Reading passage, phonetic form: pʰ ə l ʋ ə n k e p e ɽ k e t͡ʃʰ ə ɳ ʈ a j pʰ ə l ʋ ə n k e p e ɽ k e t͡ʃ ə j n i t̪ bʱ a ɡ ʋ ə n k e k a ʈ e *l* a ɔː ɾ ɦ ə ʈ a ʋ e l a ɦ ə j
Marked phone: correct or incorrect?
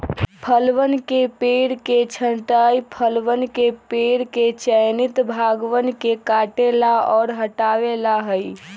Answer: correct